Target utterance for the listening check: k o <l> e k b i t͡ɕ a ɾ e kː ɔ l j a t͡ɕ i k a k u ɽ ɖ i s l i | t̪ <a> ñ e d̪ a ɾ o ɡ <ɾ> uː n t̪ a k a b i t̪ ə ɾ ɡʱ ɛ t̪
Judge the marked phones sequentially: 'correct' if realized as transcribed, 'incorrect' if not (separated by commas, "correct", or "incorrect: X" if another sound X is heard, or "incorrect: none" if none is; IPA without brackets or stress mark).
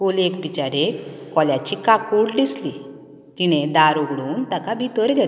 correct, incorrect: i, incorrect: ɽ